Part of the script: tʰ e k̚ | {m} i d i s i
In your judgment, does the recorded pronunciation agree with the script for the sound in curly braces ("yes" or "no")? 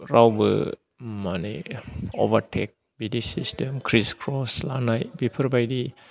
no